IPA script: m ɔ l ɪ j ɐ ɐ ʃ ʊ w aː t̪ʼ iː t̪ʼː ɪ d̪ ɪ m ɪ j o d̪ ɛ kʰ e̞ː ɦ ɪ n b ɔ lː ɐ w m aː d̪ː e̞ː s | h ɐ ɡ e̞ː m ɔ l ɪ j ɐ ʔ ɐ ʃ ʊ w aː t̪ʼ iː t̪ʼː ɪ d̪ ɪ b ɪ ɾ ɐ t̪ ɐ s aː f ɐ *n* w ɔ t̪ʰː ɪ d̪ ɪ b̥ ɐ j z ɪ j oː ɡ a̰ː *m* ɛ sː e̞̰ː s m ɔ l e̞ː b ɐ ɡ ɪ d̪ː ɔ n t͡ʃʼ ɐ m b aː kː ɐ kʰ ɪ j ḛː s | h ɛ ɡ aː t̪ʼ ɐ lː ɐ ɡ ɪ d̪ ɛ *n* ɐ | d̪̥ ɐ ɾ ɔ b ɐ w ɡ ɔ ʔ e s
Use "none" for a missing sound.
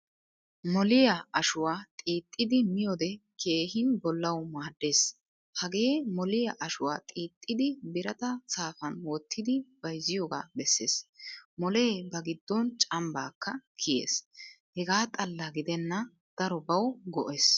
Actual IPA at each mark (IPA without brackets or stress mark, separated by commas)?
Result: n, b, nː